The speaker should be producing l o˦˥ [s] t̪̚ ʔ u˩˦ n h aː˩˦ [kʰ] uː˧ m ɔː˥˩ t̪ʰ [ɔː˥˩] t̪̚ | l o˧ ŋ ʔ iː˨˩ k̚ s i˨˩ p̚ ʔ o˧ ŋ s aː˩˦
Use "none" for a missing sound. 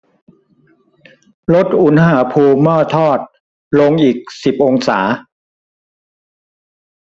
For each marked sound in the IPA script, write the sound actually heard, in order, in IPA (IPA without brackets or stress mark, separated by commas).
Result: none, pʰ, ɔː˥˩